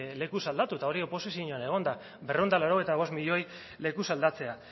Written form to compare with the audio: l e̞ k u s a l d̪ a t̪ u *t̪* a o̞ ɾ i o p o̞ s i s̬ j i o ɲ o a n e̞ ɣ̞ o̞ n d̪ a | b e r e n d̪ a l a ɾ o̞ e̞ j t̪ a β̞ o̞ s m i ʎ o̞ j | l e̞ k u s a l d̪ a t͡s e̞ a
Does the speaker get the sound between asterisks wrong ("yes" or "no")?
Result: no